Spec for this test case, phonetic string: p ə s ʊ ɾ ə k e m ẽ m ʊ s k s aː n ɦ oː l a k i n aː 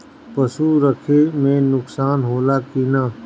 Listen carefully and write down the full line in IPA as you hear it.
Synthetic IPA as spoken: p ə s u ɾ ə kʰ e m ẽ n ʊ k s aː n ɦ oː l a k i n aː